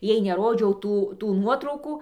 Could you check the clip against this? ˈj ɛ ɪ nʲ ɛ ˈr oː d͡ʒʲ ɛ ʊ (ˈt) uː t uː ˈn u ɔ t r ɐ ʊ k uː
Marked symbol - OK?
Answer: yes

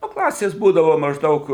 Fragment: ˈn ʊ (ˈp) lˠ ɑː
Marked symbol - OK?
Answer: no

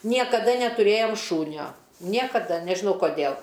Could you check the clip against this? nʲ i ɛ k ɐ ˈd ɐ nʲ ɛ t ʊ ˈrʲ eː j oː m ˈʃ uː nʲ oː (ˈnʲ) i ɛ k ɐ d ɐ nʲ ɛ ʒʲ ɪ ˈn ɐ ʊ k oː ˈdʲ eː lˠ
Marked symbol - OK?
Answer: yes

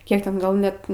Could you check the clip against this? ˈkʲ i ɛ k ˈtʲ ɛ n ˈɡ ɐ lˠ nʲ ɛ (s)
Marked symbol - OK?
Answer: no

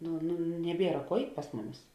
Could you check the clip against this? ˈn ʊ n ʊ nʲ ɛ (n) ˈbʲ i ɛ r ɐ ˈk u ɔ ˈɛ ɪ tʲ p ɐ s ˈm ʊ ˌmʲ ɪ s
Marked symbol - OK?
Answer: no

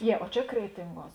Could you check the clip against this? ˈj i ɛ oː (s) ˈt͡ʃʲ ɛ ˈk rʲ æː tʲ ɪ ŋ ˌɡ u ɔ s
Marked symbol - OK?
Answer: no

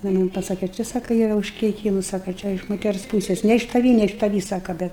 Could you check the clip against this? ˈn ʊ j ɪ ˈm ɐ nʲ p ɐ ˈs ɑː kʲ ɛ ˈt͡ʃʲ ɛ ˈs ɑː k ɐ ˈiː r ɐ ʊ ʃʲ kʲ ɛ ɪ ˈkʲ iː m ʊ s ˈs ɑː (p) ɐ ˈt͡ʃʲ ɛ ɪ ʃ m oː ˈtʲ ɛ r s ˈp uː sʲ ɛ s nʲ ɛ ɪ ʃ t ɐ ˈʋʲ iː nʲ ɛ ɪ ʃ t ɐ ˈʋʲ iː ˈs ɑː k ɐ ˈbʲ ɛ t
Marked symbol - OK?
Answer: no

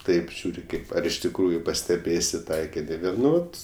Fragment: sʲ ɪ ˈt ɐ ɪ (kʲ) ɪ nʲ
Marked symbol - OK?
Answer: yes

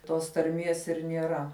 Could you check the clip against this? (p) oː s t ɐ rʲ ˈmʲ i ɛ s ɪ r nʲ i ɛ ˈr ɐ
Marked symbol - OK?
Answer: no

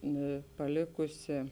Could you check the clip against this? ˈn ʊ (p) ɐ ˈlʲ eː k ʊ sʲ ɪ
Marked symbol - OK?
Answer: yes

